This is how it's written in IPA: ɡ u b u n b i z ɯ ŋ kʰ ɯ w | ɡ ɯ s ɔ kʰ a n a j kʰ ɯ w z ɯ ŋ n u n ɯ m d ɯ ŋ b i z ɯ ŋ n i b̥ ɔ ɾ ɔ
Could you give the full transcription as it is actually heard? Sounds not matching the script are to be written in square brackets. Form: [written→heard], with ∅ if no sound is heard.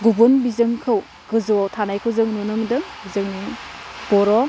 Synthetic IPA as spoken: ɡ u b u n b i z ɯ ŋ kʰ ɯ w | ɡ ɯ [s→z] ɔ [kʰ→tʰ] a n a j kʰ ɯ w z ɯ ŋ n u n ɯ m d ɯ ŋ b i z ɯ ŋ n i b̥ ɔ ɾ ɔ